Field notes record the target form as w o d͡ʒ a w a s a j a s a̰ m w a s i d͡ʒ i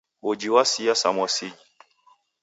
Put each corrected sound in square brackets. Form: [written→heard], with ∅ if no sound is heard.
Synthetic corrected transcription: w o d͡ʒ [a→i] w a s [a→i] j a s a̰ m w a s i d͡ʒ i